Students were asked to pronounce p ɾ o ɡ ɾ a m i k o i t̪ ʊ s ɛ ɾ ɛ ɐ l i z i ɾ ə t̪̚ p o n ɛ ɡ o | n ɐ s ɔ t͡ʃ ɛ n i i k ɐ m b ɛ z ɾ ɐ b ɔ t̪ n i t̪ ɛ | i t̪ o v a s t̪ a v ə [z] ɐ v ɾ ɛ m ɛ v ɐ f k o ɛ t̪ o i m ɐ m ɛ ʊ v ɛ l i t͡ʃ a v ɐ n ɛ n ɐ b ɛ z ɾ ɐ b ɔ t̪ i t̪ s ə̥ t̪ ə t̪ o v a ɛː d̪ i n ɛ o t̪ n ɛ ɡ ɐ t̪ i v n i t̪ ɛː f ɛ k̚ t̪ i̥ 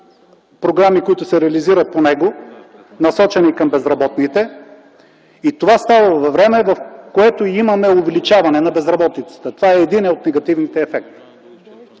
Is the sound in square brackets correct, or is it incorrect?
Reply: incorrect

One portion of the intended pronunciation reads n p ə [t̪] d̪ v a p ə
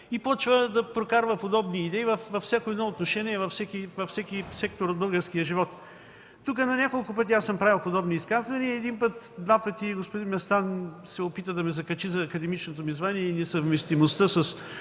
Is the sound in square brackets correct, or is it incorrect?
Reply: correct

